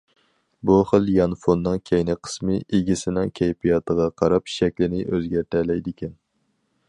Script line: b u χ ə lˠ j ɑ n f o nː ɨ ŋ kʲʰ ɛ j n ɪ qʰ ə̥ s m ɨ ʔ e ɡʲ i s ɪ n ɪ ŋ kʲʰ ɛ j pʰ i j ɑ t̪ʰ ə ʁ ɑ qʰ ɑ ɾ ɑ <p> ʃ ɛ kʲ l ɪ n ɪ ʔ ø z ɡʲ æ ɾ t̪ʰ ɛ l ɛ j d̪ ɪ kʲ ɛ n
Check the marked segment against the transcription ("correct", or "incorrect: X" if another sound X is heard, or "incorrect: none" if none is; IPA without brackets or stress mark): correct